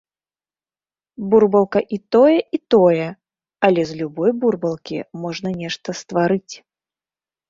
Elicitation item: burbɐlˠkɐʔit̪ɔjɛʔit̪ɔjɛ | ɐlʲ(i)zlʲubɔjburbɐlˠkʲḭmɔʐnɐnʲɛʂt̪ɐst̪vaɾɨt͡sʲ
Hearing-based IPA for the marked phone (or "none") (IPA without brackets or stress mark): ɛ